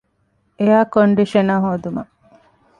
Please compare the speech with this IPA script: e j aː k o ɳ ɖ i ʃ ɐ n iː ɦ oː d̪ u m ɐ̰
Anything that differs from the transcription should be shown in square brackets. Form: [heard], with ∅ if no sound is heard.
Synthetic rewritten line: e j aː k o ɳ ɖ i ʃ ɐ n [aː] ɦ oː d̪ u m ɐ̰